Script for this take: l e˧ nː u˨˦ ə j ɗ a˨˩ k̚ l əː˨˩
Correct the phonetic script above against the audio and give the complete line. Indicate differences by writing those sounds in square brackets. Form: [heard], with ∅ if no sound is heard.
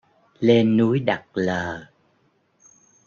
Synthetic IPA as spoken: l e˧ nː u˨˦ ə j ɗ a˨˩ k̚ l əː˨˩